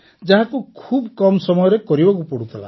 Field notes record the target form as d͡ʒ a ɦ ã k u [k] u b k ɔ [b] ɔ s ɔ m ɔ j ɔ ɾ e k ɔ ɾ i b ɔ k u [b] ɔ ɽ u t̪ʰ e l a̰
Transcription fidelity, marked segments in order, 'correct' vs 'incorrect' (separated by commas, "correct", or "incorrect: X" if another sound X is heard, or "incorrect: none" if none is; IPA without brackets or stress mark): incorrect: kʰ, incorrect: m, incorrect: p